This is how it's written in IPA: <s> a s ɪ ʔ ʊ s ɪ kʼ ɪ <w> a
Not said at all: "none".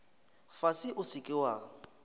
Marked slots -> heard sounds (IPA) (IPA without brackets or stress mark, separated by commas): f, w